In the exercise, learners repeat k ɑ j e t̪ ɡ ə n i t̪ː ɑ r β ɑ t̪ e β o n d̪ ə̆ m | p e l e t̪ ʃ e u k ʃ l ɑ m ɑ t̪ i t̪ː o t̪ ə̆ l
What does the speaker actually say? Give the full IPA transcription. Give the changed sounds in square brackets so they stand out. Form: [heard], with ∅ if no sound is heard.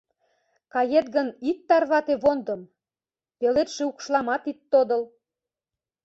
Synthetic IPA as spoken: k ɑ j e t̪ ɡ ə n i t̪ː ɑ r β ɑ t̪ e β o n d̪ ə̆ m | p e l e t̪ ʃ e u k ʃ l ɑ m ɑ t̪ i t̪ː o [d̪] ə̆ l